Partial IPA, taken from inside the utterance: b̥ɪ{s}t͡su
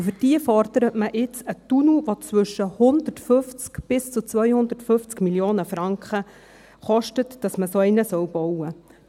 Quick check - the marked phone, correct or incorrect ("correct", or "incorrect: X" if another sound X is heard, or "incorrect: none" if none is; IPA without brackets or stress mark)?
correct